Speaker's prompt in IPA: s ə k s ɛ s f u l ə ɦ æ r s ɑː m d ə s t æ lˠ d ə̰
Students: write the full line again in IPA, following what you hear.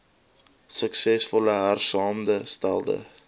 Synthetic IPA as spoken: s ə k s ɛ s f ɔ l ə ɦ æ r s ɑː m d ə s t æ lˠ d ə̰